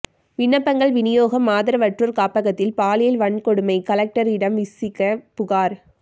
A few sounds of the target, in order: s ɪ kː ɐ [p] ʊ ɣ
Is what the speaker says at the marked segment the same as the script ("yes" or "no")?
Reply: yes